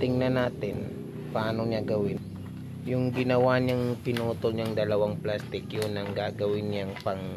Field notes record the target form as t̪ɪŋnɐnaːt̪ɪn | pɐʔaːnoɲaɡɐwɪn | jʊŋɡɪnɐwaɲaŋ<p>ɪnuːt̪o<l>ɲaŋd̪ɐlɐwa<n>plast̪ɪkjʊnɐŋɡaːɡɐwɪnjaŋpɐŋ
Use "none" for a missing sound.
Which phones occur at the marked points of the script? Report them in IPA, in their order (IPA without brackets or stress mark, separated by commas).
p, l, ŋ